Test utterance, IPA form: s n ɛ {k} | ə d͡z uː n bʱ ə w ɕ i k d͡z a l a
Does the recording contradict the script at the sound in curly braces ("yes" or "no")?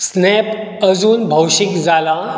yes